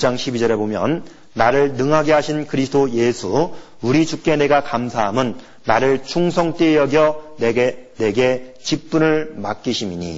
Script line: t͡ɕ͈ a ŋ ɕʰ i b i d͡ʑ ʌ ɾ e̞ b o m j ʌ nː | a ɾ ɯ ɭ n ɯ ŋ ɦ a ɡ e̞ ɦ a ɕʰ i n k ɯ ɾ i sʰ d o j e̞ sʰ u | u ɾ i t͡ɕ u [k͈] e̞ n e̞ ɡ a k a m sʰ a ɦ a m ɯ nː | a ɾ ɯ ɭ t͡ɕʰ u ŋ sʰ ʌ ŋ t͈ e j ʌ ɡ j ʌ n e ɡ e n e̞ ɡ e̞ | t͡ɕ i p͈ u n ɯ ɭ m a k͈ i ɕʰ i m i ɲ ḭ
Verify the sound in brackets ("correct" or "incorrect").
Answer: correct